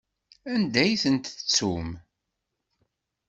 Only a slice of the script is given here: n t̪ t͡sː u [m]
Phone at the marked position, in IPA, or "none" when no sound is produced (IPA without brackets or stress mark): m